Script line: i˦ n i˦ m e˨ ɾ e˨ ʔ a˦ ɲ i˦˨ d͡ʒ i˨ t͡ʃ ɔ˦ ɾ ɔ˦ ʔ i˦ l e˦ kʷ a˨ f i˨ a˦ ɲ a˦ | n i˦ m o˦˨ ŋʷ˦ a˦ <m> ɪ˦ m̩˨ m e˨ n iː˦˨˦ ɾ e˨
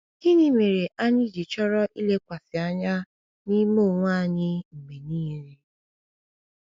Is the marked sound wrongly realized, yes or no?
yes